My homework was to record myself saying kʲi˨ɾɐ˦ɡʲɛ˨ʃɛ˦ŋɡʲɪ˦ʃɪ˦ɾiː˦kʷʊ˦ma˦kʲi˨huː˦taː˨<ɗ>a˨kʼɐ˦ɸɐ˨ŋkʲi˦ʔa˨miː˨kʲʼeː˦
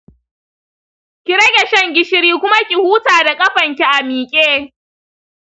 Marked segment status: incorrect: d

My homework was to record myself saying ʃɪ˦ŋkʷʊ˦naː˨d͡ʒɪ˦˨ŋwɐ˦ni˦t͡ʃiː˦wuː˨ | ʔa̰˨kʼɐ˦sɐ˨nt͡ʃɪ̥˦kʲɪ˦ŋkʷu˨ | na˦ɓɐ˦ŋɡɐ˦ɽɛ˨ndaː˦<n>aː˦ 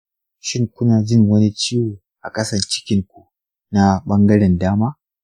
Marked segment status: incorrect: m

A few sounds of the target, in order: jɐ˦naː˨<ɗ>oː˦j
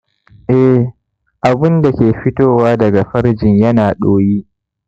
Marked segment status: correct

